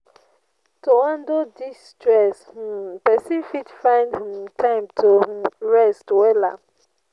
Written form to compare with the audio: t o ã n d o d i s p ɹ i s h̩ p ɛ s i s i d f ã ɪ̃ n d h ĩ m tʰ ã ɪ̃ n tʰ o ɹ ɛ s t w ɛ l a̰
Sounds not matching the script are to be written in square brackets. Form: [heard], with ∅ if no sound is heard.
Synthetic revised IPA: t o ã n d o d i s [t] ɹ [ɛ] s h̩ p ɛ s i [f] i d f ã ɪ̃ n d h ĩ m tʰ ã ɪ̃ [m] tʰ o ɹ ɛ s t w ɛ l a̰